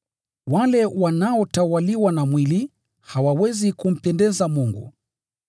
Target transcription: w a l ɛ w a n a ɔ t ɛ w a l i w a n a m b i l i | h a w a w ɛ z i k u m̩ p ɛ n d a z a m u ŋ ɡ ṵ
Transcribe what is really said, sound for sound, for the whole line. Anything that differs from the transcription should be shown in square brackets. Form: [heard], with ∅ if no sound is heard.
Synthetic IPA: w a l ɛ w a n a ɔ t [a] w a l i w a n a m [w] i l i | h a w a w ɛ z i k u m̩ p ɛ n d [ɛ] z a m u ŋ ɡ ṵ